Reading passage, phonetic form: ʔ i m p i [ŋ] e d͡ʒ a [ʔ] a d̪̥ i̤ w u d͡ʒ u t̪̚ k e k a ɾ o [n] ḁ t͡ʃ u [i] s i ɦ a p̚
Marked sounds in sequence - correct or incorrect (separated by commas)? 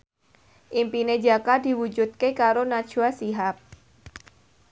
incorrect, incorrect, correct, incorrect